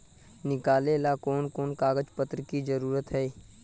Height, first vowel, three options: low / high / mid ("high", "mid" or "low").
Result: high